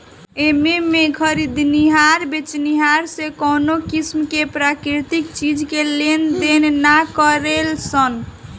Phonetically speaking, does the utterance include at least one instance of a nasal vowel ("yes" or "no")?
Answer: no